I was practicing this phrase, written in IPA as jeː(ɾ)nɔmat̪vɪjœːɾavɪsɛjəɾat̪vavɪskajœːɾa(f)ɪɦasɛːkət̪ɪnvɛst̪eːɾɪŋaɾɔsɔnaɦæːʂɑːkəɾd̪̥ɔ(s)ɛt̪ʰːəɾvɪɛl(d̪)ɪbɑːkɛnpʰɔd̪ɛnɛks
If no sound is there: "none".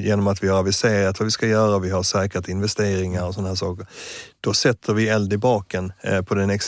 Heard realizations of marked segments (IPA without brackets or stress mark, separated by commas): none, v, s, d̪